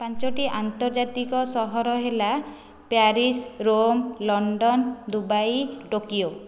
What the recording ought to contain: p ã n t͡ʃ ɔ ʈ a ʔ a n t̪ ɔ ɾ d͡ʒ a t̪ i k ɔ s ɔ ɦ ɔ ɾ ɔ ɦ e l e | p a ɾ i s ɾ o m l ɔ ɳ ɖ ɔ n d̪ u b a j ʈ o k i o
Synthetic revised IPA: p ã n t͡ʃ ɔ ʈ i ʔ a n t̪ ɔ ɾ d͡ʒ a t̪ i k ɔ s ɔ ɦ ɔ ɾ ɔ ɦ e l a | p a ɾ i s ɾ o m l ɔ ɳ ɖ ɔ n d̪ u b a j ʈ o k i o